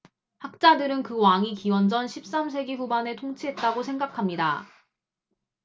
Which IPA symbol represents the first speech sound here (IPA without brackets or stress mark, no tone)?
h